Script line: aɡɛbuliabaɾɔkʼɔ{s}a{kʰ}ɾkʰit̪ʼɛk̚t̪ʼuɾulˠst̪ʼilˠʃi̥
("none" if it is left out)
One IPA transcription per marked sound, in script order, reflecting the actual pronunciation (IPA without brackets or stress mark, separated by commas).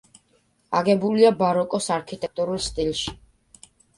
s, none